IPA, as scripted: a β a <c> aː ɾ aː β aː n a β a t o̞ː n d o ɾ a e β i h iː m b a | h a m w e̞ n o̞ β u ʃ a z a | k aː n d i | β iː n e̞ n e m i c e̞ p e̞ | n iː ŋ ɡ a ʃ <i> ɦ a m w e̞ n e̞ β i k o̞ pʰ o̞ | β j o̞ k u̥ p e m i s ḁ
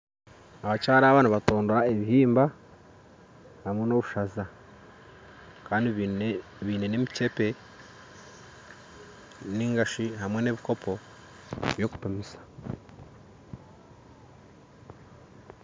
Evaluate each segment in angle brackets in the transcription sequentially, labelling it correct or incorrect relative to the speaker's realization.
correct, correct

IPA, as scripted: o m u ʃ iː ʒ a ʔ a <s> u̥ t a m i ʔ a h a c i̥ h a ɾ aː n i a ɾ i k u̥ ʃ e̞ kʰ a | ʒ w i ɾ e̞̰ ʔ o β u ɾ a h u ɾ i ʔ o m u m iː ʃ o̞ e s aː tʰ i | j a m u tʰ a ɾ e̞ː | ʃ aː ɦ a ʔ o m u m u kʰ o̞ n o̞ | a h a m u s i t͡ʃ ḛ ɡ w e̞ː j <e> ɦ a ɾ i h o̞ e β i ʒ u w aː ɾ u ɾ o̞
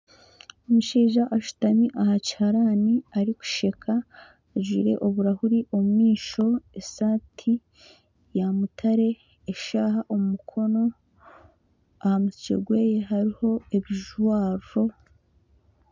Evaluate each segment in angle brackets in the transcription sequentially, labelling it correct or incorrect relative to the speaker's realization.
incorrect: ʃ, correct

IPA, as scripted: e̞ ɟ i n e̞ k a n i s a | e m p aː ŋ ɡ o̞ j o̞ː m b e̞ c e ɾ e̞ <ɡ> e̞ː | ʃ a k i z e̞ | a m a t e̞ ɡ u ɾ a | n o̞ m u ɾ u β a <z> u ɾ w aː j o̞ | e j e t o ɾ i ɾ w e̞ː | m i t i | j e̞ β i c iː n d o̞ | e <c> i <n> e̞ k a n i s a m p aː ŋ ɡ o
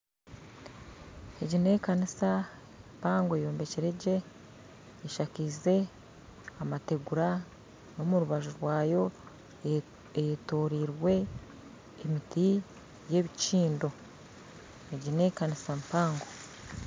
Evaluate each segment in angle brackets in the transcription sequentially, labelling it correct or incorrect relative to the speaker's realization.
incorrect: ɟ, incorrect: ʒ, incorrect: ɟ, correct

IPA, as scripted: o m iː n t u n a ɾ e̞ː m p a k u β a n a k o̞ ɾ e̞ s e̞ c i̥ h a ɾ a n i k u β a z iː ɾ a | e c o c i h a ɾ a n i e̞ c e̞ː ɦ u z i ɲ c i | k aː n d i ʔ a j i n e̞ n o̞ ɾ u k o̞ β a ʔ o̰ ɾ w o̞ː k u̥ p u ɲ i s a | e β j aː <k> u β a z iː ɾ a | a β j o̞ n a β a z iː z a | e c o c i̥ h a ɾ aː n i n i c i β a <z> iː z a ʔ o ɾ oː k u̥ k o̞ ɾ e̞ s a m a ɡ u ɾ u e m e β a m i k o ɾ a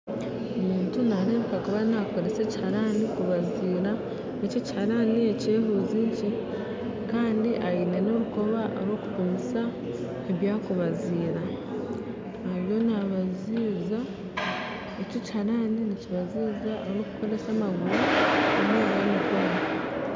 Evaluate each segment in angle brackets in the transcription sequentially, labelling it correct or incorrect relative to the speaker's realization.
correct, correct

